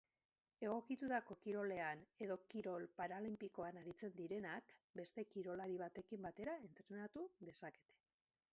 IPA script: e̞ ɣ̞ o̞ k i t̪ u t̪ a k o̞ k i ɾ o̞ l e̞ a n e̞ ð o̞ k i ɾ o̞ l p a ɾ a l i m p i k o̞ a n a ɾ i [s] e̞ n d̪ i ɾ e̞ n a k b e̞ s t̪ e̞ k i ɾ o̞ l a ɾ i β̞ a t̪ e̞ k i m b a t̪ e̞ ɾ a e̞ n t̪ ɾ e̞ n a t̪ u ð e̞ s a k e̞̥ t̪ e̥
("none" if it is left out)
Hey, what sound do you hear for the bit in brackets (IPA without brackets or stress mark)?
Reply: t͡s